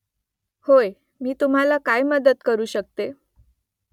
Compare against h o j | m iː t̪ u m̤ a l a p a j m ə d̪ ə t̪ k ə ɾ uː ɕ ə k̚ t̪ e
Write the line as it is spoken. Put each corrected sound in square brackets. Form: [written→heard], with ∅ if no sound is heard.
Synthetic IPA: h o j | m iː t̪ u m̤ a l a [p→k] a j m ə d̪ ə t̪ k ə ɾ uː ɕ ə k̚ t̪ e